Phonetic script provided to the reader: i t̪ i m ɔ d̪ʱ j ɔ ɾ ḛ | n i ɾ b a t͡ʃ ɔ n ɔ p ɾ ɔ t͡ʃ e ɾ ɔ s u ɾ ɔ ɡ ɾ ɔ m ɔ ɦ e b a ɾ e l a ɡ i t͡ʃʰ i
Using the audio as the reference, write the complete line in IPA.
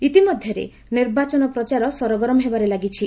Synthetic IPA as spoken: i t̪ i m ɔ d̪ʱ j ɔ ɾ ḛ | n i ɾ b a t͡ʃ ɔ n ɔ p ɾ ɔ t͡ʃ a ɾ ɔ s ɔ ɾ ɔ ɡ ɾ ɔ m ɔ ɦ e b a ɾ e l a ɡ i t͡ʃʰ i